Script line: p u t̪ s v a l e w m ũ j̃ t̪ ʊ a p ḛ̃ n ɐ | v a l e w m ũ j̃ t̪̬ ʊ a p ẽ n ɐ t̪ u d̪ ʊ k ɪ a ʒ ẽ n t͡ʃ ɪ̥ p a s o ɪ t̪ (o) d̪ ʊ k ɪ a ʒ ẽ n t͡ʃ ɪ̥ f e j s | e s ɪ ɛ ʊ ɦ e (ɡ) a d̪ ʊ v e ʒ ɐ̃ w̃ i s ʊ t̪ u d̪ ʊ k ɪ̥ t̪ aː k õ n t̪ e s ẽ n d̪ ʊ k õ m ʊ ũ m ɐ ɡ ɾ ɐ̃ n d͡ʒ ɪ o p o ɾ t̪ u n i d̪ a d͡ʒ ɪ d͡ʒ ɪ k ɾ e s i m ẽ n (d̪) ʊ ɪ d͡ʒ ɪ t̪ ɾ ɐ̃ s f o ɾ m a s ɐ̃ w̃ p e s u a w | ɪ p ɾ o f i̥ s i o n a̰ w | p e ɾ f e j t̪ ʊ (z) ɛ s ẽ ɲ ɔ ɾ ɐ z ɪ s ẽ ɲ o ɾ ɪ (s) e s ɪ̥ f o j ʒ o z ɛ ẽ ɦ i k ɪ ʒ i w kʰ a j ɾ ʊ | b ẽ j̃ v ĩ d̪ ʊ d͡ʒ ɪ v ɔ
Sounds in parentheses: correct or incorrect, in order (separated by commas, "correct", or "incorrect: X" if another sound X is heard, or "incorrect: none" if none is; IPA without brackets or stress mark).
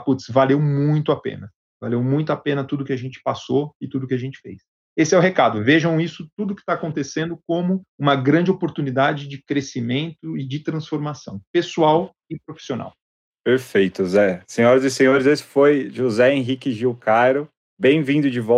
incorrect: u, incorrect: k, incorrect: t̪, correct, incorrect: z